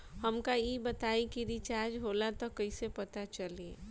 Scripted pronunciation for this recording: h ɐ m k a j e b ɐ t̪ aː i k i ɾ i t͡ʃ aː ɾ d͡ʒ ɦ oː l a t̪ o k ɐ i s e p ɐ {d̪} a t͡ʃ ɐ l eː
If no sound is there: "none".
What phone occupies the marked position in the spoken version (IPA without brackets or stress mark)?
t̪